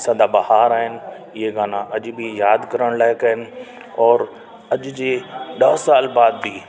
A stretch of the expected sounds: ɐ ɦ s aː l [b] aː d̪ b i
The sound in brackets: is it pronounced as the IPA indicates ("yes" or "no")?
yes